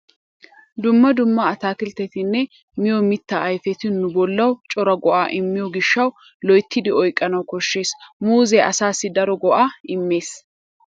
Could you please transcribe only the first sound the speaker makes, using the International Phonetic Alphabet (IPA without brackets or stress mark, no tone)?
d̪